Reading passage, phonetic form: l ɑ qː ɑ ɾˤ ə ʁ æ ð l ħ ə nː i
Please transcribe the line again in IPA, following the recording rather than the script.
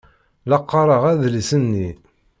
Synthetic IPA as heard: l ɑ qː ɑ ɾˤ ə ʁ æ ð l s ə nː i